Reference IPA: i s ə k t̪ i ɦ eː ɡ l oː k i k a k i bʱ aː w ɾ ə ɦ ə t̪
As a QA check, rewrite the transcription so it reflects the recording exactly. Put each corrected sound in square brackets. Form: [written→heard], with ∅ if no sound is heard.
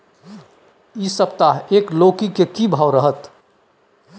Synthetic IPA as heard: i s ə [k→p] t̪ [i→a] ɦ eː [ɡ→k] l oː k i k [a→e] k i bʱ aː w ɾ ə ɦ ə t̪